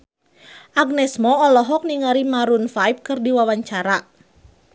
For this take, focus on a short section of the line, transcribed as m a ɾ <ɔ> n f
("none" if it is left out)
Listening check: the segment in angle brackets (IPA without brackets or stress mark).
u